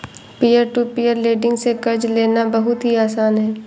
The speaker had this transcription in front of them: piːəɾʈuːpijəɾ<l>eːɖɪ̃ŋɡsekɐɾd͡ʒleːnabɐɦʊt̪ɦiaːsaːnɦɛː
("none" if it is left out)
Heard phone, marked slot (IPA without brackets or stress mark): l